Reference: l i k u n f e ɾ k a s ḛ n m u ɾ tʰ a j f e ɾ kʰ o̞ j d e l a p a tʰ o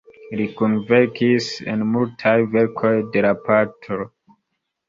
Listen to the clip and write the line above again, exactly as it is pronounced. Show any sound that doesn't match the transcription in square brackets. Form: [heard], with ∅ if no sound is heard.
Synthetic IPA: l i k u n [v] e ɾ k [i] s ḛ n m u [l] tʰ a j [v] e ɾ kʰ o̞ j d e l a p a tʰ o

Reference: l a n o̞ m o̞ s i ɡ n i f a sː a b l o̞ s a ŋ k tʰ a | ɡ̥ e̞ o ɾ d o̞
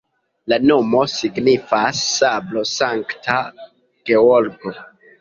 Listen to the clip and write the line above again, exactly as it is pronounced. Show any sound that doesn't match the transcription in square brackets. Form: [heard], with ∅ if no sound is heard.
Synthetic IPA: l a n o̞ m o̞ s i ɡ n i f a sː a b l o̞ s a ŋ k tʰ a | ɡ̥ e̞ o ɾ [ɡ] o̞

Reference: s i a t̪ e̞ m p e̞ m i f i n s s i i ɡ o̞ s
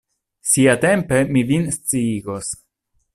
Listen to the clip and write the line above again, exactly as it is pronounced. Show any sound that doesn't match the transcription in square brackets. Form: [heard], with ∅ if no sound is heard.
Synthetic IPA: s i a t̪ e̞ m p e̞ m i [v] i n s [t͡s] i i ɡ o̞ s

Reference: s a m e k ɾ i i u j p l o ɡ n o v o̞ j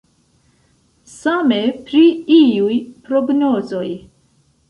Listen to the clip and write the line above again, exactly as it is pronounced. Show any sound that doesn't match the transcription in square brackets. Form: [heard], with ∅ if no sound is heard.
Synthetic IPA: s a m e [p] ɾ i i u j p [ɾ] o ɡ n o [z] o̞ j

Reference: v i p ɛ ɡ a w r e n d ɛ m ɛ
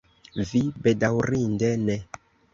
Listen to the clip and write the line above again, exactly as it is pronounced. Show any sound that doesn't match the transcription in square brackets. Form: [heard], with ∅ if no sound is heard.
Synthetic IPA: v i [b] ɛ [d] a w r [i] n d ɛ [n] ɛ

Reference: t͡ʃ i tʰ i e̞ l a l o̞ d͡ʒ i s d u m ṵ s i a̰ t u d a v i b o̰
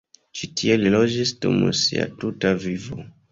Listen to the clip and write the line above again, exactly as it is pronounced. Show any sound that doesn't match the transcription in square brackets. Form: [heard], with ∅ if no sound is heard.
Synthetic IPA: t͡ʃ i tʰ i e̞ l [i] l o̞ d͡ʒ i s d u m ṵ s i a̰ t u [t] a v i [v] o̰

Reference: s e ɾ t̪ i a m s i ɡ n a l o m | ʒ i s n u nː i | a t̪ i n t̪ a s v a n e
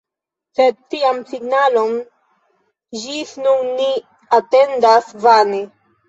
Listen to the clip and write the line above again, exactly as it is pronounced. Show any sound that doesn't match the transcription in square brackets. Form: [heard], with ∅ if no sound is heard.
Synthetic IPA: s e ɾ t̪ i a m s i ɡ n a l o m | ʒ i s n u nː i | a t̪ [e] n [d̪] a s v a n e

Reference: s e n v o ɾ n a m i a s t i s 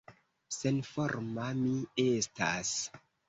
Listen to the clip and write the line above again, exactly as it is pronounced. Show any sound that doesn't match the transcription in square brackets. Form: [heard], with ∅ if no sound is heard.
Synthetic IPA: s e n [f] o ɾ [m] a m i [e] s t [a] s

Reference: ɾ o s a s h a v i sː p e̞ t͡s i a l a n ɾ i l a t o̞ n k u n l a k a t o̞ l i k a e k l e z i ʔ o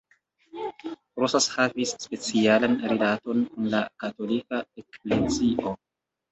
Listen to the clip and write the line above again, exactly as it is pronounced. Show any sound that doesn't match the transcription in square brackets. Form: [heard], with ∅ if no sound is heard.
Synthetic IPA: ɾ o s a s h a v i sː p e̞ t͡s i a l a n ɾ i l a t o̞ n k u n l a k a t o̞ l i k a e k l e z i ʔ o

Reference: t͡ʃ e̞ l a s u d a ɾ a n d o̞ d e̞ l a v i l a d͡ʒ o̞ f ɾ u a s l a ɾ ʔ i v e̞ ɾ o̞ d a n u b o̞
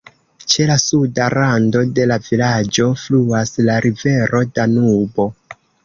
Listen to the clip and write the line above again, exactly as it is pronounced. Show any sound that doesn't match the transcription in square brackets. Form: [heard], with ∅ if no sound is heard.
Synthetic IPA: t͡ʃ e̞ l a s u d a ɾ a n d o̞ d e̞ l a v i l a d͡ʒ o̞ f [l] u a s l a ɾ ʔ i v e̞ ɾ o̞ d a n u b o̞

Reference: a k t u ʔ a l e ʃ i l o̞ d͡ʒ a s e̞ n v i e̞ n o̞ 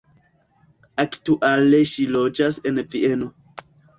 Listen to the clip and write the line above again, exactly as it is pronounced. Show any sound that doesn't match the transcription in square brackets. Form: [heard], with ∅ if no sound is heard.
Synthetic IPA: a k t u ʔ a l e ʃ i l o̞ d͡ʒ a s e̞ n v i e̞ n o̞

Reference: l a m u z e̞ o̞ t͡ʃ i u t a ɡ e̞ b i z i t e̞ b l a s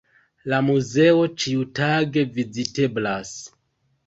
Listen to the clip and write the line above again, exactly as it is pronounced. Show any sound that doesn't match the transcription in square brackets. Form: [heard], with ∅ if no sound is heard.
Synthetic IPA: l a m u z e̞ o̞ t͡ʃ i u t a ɡ e̞ [v] i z i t e̞ b l a s

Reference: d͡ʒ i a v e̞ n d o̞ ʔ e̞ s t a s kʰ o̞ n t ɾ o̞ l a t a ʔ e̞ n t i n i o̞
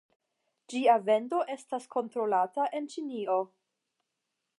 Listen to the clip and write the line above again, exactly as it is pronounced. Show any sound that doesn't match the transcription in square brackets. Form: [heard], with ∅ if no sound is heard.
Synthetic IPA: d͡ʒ i a v e̞ n d o̞ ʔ e̞ s t a s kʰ o̞ n t ɾ o̞ l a t a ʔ e̞ n [t͡ʃ] i n i o̞

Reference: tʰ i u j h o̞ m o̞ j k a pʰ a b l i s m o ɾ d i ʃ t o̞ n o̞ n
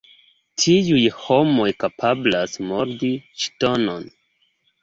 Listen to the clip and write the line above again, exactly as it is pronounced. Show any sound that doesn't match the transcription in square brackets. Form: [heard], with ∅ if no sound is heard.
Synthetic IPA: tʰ i u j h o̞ m o̞ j k a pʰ a b l [a] s m o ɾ d i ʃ t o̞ n o̞ n

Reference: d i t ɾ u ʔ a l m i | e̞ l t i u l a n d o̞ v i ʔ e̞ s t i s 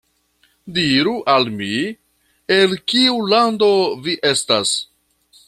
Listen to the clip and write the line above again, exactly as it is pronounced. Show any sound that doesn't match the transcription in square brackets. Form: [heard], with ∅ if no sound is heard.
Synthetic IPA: d i [∅] ɾ u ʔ a l m i | e̞ l [k] i u l a n d o̞ v i ʔ e̞ s t [a] s

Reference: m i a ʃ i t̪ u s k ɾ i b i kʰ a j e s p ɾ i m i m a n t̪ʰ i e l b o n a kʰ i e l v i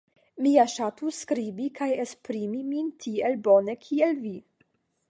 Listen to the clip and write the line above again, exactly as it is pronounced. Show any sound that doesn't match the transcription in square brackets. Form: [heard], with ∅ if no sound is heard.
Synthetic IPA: m i a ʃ [a] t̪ u s k ɾ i b i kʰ a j e s p ɾ i m i m [i] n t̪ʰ i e l b o n [e] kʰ i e l v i

